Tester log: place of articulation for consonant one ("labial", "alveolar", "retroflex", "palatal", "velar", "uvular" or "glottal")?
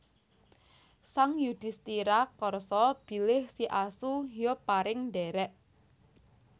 alveolar